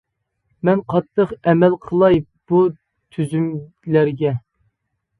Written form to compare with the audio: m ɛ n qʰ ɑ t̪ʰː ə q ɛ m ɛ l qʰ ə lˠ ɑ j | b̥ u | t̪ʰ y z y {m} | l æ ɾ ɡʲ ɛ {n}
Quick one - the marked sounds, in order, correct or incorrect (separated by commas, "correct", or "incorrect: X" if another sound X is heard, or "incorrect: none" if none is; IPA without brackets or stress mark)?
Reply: correct, incorrect: none